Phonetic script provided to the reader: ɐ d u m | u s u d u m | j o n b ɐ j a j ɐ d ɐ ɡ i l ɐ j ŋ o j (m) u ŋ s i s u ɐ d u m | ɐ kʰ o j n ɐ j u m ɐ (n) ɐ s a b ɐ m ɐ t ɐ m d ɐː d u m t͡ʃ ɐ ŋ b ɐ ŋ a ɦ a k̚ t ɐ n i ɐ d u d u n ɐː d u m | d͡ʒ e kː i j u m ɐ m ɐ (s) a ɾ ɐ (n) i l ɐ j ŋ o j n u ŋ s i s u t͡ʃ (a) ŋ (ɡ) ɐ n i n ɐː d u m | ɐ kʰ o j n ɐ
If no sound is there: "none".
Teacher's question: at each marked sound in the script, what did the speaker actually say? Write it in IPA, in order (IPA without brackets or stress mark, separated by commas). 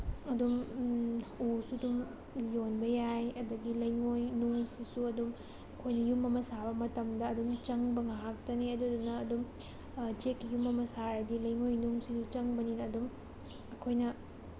n, m, s, d, ɐ, b